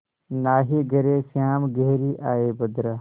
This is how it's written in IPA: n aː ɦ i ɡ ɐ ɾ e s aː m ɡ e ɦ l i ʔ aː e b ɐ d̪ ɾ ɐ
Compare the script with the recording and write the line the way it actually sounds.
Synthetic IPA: n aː ɦ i ɡ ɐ ɾ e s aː m ɡ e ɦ ɾ i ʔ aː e b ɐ d̪ ɾ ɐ